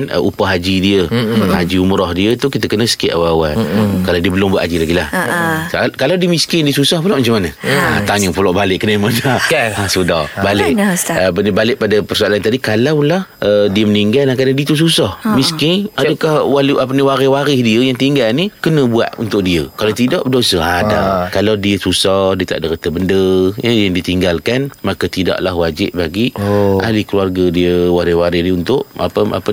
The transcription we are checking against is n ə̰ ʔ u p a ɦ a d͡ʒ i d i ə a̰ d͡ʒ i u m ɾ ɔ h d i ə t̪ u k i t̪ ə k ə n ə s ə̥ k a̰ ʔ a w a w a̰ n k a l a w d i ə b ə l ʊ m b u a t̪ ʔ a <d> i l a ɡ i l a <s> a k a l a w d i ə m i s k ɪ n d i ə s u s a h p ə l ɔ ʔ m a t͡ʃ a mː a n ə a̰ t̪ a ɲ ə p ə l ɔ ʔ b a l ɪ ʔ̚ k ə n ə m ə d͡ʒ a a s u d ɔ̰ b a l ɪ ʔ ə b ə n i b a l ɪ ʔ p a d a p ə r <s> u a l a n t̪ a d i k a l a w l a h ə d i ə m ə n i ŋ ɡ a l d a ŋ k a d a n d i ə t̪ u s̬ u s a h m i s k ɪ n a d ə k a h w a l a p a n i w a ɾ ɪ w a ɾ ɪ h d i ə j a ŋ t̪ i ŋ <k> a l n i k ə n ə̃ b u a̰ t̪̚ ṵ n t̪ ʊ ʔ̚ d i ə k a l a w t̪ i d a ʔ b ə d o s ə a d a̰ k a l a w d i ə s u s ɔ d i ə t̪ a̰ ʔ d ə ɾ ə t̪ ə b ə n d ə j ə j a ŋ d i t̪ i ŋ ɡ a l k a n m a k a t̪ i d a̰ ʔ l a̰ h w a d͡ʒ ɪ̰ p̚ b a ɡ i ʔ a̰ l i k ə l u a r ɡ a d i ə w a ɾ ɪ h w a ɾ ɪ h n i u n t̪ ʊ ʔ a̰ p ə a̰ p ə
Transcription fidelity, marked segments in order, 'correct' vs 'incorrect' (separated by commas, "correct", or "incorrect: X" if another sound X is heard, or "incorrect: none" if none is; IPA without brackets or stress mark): incorrect: d͡ʒ, incorrect: h, correct, incorrect: ɡ